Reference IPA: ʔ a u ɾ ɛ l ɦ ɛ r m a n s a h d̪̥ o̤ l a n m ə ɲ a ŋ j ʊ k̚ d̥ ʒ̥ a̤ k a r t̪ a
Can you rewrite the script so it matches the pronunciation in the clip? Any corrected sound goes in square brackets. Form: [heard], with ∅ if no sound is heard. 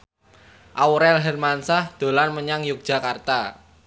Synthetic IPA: ʔ a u ɾ ɛ l ɦ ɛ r m a n s a h d̪̥ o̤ l a n m ə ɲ a ŋ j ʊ k̚ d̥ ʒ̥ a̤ k a r t̪ a